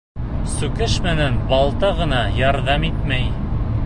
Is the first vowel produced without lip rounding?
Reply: no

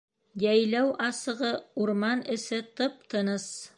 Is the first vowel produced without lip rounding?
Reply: yes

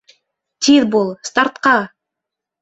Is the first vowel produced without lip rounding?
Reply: yes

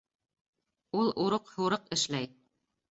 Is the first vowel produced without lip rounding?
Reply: no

